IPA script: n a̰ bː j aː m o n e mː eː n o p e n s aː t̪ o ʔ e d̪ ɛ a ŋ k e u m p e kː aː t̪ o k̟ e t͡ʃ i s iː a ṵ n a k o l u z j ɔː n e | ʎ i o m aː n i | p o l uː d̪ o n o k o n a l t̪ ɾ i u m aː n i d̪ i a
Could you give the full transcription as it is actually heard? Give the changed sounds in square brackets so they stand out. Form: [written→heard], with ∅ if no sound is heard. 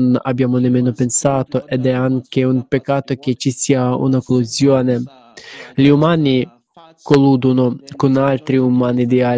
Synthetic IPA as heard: n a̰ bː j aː m o n e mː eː n o p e n s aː t̪ o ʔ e d̪ ɛ a ŋ k e u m p e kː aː t̪ o k̟ e t͡ʃ i s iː a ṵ n a k o l u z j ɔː n e | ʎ i [o→u] m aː n i | [p→k] o l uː d̪ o n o k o n a l t̪ ɾ i u m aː n i d̪ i a